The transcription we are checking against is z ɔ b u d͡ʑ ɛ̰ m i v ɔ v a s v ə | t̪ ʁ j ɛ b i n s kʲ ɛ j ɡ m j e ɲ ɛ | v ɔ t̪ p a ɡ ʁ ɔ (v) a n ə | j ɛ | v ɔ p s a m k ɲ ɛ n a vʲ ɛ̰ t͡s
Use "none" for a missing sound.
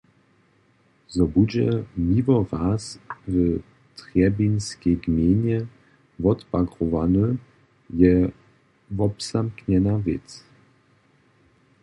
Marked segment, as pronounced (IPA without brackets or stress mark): v